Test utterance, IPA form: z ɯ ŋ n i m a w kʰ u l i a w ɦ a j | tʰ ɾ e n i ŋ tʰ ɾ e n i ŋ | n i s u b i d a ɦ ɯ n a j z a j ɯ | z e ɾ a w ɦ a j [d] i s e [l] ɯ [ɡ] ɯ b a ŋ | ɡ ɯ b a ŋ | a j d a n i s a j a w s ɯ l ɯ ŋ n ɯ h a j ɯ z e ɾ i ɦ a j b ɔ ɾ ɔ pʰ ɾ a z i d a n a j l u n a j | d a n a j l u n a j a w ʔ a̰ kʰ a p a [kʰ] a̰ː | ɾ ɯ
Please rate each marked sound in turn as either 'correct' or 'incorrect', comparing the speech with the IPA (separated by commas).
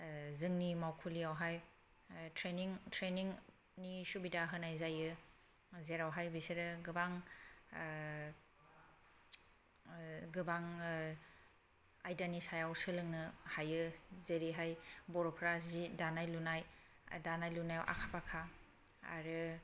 incorrect, incorrect, correct, correct